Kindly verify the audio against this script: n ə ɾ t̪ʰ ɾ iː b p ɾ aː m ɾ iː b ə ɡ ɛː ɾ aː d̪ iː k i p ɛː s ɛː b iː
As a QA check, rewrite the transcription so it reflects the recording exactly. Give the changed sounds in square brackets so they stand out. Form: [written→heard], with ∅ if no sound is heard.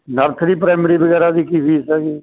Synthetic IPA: n ə ɾ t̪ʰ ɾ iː [b→∅] p ɾ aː m ɾ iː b ə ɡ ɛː ɾ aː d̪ iː k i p [ɛː→iː] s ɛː [b→ɡ] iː